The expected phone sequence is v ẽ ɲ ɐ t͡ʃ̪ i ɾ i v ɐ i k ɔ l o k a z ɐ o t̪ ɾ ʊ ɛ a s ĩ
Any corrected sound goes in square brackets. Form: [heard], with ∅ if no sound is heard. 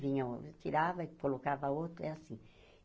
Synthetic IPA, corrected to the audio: v [ĩ] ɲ ɐ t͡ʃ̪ i ɾ [a] v ɐ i k [o] l o k a [v] ɐ o t̪ ɾ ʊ ɛ a s ĩ